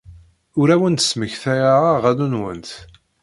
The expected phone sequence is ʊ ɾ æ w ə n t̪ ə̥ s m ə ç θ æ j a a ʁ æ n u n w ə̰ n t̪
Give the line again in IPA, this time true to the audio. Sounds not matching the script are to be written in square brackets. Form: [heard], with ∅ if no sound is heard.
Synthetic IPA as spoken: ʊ ɾ æ w ə n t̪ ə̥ s m ə ç θ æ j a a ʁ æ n u n w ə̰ n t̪